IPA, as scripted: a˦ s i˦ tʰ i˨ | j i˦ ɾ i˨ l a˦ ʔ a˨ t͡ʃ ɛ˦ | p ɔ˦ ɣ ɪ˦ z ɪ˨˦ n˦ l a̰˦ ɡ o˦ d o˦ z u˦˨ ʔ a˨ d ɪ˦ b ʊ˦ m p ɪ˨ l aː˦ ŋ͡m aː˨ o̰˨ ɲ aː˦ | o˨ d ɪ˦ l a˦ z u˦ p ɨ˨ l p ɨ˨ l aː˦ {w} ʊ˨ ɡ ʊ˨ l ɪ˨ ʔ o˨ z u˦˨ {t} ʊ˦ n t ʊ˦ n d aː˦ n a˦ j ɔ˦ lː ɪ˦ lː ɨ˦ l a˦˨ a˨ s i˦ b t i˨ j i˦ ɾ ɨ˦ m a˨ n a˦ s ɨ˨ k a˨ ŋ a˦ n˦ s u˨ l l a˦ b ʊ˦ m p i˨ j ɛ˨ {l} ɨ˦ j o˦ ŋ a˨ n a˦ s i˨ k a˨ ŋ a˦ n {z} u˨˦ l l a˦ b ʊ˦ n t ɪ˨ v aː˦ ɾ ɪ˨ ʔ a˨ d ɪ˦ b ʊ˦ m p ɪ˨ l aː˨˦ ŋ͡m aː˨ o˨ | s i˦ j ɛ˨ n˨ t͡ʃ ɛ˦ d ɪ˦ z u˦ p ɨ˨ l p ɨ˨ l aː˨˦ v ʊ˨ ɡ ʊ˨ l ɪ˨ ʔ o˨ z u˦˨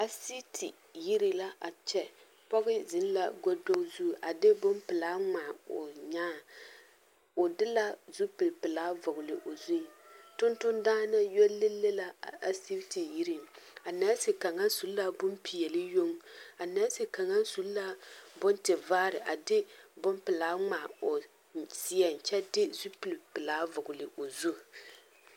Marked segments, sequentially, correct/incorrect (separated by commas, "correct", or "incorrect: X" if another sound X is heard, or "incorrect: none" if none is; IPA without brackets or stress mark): incorrect: v, correct, correct, incorrect: s